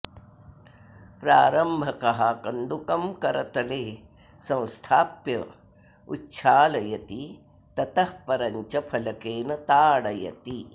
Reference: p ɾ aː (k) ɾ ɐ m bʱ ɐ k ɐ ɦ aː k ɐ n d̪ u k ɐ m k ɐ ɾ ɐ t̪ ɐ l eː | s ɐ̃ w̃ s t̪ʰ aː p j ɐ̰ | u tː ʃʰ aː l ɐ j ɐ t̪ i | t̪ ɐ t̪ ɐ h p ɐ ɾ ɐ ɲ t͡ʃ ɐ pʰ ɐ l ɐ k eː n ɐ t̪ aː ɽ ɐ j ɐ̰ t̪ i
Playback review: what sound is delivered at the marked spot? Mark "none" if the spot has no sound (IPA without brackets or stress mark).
none